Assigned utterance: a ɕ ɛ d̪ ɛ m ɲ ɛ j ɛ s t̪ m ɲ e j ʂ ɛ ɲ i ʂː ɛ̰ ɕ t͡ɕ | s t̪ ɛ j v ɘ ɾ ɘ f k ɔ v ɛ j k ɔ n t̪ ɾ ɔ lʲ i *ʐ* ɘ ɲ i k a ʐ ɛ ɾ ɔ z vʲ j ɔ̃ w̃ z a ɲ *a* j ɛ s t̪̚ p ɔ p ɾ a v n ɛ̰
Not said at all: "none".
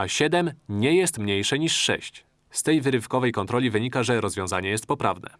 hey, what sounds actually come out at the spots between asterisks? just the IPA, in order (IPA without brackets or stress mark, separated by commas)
v, ɛ